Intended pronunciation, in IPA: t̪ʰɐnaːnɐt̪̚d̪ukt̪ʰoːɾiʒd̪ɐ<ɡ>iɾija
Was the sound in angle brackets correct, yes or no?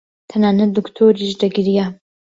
yes